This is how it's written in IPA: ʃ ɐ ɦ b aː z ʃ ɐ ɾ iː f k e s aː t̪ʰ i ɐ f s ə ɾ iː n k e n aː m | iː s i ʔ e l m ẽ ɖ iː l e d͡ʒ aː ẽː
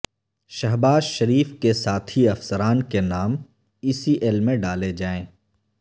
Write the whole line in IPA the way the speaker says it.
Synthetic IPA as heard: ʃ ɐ ɦ b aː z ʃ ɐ ɾ iː f k e s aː t̪ʰ i ɐ f s ə ɾ aː n k e n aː m | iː s i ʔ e l m ẽ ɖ aː l e d͡ʒ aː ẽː

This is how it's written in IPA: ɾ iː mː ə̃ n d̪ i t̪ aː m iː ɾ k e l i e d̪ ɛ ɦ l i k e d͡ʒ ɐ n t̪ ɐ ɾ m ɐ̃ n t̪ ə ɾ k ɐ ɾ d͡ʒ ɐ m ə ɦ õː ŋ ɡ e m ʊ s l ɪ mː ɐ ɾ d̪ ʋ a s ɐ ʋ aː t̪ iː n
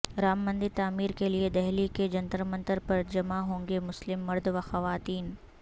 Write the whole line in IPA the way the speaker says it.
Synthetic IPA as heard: ɾ aː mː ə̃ n d̪ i t̪ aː m iː ɾ k e l i e d̪ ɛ ɦ l i k e d͡ʒ ɐ n t̪ ə ɾ m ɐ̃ n t̪ ə ɾ p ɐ ɾ d͡ʒ ɐ m a ɦ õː ŋ ɡ e m ʊ s l ɪ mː ɐ ɾ d̪ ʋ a x ɐ ʋ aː t̪ iː n

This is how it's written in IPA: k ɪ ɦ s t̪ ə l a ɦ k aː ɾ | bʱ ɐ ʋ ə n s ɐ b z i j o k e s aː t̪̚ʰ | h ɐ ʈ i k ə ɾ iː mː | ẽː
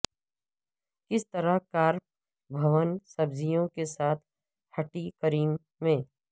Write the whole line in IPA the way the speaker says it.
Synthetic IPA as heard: k ɪ s t̪ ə ɾ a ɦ k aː ɾ | bʱ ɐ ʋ ə n s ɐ b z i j õ k e s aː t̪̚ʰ | h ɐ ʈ i k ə ɾ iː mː | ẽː

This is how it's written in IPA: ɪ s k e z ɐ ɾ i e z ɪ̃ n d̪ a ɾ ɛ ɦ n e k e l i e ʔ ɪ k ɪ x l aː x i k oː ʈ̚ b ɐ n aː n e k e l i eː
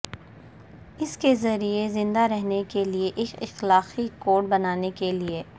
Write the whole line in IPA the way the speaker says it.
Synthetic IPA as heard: ɪ s k e z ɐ ɾ i e z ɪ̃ n d̪ a ɾ ɛ ɦ n e k e l i e ʔ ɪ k ɪ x l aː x i k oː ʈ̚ b ɐ n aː n e k e l i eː

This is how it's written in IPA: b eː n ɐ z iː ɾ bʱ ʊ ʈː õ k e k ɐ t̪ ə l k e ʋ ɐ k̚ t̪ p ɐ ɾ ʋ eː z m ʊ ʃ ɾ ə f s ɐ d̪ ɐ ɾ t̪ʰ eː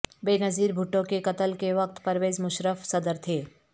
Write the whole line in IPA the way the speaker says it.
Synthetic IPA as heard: b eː n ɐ z iː ɾ bʱ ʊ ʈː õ k e k ɐ t̪ ə l k e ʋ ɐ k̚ t̪ p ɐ ɾ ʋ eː z m ʊ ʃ ɾ ə f s ɐ d̪ ə ɾ t̪ʰ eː

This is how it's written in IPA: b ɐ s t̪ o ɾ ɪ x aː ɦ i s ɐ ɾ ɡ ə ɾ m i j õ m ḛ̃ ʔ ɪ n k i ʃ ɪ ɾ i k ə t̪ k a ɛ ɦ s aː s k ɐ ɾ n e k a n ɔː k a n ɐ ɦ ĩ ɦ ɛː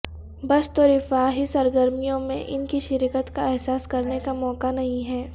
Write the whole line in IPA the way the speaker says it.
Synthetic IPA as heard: b ɐ s t̪ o ɾ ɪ f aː ɦ i s ɐ ɾ ɡ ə ɾ m i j õ m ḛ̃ ʔ ɪ n k i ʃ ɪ ɾ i k ə t̪ k a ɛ ɦ s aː s k ɐ ɾ n e k a m ɔː k a n ɐ ɦ ĩ ɦ ɛː

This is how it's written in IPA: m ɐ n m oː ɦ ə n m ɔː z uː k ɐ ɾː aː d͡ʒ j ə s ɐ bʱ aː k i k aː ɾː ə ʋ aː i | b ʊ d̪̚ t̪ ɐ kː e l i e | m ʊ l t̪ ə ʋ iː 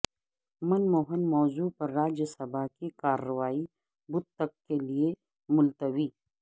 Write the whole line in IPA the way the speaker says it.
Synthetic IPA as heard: m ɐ n m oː ɦ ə n m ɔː z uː p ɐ ɾː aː d͡ʒ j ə s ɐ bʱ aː k i k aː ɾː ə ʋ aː i | b ʊ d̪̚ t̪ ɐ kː e l i e | m ʊ l t̪ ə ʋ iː

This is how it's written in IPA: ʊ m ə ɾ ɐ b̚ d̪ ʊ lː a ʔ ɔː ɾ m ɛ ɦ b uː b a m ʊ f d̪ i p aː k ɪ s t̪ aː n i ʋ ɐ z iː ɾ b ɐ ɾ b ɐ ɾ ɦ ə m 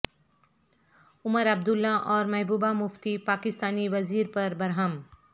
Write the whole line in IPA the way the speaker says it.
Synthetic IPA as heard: ʊ m ə ɾ ɐ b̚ d̪ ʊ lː a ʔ ɔː ɾ m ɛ ɦ b uː b a m ʊ f t̪ i p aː k ɪ s t̪ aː n i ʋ ɐ z iː ɾ p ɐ ɾ b ɐ ɾ ɦ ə m

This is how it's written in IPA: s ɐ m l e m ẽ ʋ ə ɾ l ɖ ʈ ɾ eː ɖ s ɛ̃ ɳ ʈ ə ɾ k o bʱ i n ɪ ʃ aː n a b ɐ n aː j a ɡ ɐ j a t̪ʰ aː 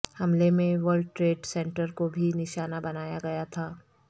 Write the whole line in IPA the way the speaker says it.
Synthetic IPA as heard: h ɐ m l e m ẽ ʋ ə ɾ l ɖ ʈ ɾ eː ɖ s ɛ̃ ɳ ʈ ə ɾ k o bʱ i n ɪ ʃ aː n a b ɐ n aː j a ɡ ɐ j a t̪ʰ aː

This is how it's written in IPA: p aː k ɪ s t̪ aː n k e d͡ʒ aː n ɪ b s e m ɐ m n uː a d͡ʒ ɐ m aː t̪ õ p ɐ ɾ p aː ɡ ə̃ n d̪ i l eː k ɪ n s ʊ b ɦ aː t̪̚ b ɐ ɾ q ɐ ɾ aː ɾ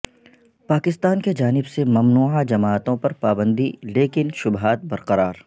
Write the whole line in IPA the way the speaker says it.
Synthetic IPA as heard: p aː k ɪ s t̪ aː n k e d͡ʒ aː n ɪ b s e m ɐ m n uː a d͡ʒ ɐ m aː t̪ õ p ɐ ɾ p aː b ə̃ n d̪ i l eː k ɪ n ʃ ʊ b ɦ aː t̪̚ b ɐ ɾ q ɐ ɾ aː ɾ

